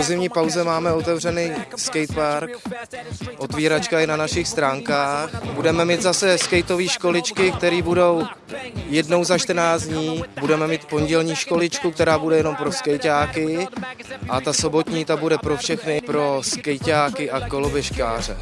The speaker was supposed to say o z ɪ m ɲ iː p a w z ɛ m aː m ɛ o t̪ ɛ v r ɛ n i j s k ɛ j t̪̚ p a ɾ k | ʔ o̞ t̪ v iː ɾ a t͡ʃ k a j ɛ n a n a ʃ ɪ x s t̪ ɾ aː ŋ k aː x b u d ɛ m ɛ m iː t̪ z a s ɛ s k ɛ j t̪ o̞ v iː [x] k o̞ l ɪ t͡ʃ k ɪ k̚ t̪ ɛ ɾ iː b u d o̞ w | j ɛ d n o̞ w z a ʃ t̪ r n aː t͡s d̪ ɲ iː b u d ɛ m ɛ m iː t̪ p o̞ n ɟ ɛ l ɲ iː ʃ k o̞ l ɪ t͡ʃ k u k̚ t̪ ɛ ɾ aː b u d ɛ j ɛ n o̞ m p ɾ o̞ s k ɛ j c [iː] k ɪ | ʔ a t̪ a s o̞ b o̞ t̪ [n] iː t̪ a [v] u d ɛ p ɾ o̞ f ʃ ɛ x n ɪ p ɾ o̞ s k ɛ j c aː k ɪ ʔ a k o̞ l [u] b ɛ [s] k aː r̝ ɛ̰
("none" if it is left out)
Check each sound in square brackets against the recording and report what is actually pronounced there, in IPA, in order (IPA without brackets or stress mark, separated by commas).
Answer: ʃ, aː, ɲ, b, o, ʃ